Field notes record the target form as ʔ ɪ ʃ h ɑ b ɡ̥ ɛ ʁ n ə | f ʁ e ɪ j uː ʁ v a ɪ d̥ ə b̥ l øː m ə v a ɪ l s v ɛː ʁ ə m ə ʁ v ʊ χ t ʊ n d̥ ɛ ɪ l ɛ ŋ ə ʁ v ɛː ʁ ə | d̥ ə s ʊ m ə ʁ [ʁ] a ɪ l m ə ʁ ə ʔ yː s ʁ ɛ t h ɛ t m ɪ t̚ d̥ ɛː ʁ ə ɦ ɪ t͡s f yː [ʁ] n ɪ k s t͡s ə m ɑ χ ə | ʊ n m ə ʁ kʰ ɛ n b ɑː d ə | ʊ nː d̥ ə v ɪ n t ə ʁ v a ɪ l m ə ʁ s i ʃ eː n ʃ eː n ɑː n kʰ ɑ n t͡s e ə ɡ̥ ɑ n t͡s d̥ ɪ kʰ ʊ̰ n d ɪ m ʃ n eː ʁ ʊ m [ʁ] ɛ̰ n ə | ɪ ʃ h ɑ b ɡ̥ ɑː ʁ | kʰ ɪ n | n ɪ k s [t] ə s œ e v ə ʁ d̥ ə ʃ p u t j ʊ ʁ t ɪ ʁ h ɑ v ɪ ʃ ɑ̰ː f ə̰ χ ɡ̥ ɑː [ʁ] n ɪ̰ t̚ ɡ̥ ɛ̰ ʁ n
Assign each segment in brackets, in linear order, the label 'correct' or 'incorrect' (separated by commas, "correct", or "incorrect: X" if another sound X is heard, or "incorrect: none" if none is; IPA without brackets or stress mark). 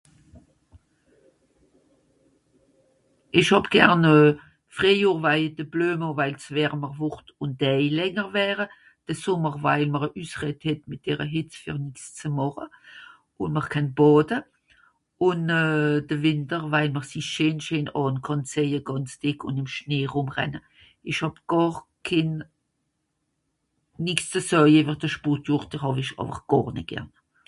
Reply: incorrect: v, correct, correct, incorrect: t͡s, correct